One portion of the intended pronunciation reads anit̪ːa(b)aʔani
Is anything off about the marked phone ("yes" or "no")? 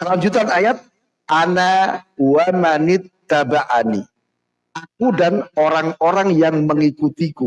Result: no